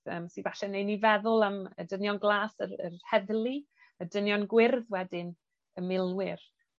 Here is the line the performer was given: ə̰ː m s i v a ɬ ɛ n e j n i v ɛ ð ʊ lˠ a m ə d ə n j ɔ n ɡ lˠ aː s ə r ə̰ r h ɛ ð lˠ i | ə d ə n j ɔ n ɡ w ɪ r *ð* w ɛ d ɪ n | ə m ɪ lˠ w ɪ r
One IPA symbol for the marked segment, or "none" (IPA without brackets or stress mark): ð